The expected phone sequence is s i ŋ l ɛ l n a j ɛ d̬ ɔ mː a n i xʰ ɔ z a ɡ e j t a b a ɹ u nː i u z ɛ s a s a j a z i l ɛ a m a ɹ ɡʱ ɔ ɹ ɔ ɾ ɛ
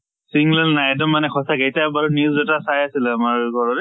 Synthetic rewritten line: s i ŋ l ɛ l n a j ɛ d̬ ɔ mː a n ɛ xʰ ɔ s a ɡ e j t a b a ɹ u n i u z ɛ t a s a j a s i l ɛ a m a ɹ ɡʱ ɔ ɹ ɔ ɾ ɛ